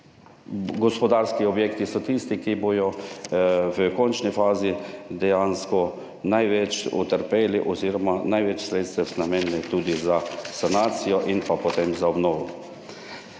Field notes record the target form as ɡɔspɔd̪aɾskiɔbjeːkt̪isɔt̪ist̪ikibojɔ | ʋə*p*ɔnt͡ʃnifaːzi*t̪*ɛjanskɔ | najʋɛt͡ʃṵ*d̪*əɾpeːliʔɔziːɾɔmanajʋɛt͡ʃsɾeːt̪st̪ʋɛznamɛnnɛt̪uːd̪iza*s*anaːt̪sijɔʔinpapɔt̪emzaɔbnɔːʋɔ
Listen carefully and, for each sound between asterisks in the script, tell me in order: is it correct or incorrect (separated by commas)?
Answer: incorrect, incorrect, incorrect, correct